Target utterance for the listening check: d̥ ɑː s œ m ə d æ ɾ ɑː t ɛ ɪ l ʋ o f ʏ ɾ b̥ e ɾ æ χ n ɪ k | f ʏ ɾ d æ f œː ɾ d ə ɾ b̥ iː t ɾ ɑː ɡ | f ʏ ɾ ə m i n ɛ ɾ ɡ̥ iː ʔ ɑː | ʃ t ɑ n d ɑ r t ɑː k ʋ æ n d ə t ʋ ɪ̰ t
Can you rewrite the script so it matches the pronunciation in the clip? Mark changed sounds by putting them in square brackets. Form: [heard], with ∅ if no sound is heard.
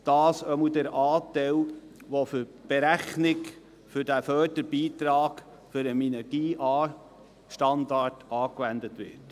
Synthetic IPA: d̥ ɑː s œ m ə d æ ɾ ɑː t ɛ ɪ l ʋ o f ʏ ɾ b̥ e ɾ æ χ n ɪ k | f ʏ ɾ d æ f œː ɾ d ə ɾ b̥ iː t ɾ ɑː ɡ | f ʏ ɾ ə m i n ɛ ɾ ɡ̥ iː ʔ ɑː | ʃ t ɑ n d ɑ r t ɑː k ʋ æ n d ə t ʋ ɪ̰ t